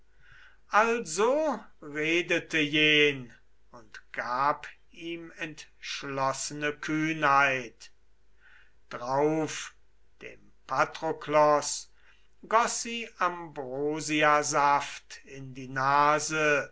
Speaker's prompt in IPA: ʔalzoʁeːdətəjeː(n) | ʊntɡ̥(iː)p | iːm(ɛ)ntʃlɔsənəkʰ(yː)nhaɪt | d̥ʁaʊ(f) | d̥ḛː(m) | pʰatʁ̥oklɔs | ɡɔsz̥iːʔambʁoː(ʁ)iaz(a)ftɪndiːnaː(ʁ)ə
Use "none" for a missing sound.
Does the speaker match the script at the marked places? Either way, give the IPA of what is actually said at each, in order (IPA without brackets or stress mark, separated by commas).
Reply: n, aː, ɛ, yː, f, m, z, a, z